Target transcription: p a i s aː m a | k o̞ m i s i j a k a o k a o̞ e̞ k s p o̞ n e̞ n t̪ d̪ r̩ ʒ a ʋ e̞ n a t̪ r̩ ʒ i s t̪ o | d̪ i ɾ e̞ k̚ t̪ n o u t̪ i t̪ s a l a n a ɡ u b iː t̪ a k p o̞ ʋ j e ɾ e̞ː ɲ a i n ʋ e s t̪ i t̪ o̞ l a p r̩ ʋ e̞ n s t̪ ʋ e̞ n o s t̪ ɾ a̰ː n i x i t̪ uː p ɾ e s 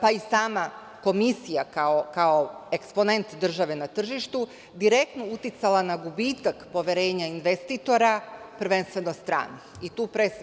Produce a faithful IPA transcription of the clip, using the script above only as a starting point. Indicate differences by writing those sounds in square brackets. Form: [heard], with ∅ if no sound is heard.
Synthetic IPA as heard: p a i s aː m a | k o̞ m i s i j a k a o k a o̞ e̞ k s p o̞ n e̞ n t̪ d̪ r̩ ʒ a ʋ e̞ n a t̪ r̩ ʒ i [ʃ] t̪ [u] | d̪ i ɾ e̞ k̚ t̪ n o u t̪ i t̪ s a l a n a ɡ u b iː t̪ a k p o̞ ʋ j e ɾ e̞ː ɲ a i n ʋ e s t̪ i t̪ o̞ [ɾ] a p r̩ ʋ e̞ n s t̪ ʋ e̞ n o s t̪ ɾ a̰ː n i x i t̪ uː p ɾ e s